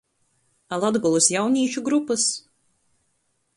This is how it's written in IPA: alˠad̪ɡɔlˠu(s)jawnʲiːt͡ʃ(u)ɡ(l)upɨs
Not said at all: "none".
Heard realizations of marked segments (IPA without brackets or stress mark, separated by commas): s, u, ɾ